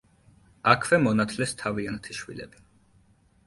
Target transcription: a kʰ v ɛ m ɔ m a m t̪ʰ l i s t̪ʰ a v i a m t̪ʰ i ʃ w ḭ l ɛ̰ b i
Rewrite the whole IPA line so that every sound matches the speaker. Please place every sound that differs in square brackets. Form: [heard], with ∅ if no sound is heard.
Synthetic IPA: a kʰ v ɛ m ɔ [n] a [∅] t̪ʰ l [ɛ] s t̪ʰ a v i a [n] t̪ʰ i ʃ w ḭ l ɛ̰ b i